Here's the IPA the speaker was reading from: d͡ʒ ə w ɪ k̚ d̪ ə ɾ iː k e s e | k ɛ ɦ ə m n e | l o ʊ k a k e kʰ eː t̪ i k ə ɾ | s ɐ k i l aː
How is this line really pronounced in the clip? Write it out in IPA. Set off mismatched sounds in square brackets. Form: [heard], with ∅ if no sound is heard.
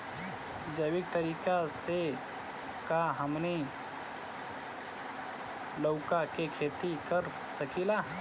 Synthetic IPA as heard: d͡ʒ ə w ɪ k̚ [t̪] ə ɾ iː k [a] s e | k [a] ɦ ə m n e | l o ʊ k a k e kʰ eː t̪ i k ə ɾ | s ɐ k i l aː